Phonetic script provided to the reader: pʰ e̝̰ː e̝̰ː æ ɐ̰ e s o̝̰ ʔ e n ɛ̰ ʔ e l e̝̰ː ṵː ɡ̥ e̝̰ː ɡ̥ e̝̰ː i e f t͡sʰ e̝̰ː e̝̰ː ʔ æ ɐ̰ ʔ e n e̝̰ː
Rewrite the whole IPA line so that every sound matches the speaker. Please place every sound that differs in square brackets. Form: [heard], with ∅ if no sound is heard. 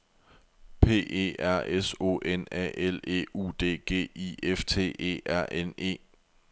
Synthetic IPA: pʰ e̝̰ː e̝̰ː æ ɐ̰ e s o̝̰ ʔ e n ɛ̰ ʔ e l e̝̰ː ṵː [d̥] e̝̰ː ɡ̥ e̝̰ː i e f t͡sʰ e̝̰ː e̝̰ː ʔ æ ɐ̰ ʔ e n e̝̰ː